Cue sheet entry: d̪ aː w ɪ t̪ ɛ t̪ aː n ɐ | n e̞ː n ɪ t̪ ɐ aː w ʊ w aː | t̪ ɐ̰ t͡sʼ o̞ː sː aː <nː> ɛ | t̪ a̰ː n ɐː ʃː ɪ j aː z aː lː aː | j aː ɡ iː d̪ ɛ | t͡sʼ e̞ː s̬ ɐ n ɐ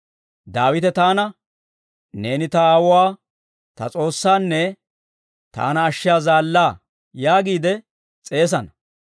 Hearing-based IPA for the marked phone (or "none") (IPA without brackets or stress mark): nː